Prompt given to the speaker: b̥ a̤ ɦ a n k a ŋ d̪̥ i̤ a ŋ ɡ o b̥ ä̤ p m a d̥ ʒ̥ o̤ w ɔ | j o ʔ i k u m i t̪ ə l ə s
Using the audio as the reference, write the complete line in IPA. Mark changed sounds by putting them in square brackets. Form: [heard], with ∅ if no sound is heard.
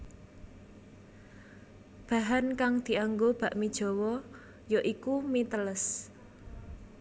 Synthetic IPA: b̥ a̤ ɦ a n k a ŋ d̪̥ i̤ a ŋ ɡ o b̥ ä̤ [ʔ] m [i] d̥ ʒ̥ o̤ w ɔ | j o ʔ i k u m i t̪ ə l ə s